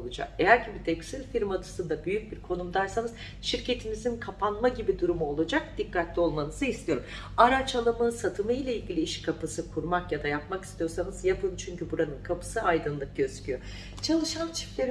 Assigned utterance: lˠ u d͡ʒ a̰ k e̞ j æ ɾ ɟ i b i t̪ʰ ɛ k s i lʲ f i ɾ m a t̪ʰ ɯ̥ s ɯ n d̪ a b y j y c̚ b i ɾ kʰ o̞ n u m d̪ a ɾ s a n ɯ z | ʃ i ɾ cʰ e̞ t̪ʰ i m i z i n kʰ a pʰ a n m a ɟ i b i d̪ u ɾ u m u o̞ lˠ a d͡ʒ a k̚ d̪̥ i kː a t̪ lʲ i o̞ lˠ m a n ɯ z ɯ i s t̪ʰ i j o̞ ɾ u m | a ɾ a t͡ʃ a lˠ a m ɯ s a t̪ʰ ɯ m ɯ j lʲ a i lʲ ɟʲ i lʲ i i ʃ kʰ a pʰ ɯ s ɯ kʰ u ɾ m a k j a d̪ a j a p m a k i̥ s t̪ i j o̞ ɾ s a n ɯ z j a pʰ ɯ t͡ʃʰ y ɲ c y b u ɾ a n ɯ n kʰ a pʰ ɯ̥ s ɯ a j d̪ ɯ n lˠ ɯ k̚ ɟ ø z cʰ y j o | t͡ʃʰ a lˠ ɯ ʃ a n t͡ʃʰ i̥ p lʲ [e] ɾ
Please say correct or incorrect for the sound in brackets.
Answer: correct